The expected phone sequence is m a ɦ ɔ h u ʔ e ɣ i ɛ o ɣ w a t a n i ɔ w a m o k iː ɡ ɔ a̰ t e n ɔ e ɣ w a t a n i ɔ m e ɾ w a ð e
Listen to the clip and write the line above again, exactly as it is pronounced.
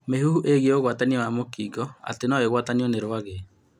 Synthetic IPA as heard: m e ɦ u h u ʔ e ɣ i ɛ o ɣ w a t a n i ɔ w a m o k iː ɡ ɔ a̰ t e n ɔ e ɣ w a t a n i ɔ n e ɾ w a ɣ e